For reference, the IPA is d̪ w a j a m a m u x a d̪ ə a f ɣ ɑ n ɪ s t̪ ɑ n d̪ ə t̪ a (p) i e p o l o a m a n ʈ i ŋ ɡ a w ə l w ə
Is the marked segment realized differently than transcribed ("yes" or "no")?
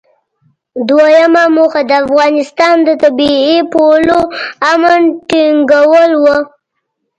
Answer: yes